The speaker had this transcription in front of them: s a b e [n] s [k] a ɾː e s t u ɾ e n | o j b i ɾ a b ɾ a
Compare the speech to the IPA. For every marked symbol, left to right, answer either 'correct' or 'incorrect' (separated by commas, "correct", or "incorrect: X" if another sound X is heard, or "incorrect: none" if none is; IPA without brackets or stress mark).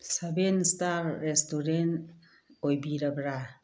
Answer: correct, incorrect: t